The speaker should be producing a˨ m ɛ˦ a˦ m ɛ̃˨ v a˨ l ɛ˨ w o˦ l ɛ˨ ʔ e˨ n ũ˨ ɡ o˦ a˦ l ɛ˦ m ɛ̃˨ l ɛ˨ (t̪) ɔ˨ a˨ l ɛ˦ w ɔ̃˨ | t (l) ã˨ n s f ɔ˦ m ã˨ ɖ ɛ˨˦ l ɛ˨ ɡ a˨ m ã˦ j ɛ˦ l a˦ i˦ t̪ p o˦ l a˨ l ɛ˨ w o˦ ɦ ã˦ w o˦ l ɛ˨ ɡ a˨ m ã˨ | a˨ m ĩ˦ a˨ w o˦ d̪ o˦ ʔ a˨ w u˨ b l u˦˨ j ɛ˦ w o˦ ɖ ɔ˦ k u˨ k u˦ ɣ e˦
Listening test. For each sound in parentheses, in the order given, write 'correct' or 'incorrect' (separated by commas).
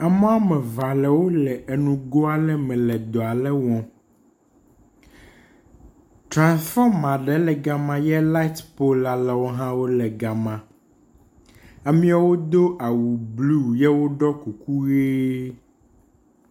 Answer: incorrect, incorrect